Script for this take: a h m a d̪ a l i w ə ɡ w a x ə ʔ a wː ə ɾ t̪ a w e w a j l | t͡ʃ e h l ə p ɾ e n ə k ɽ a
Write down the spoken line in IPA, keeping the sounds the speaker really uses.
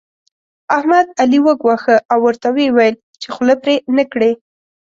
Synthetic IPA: a h m a d̪ a l i w ə ɡ w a x ə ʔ a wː ə ɾ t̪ a w e w a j l | t͡ʃ e x l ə p ɾ e n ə k ɽ e